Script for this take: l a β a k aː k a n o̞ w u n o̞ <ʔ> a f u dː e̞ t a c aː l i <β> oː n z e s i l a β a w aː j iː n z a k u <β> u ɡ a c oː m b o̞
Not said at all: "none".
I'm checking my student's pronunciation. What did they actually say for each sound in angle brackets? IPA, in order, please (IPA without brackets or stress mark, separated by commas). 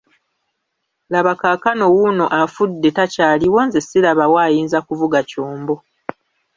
ʔ, w, v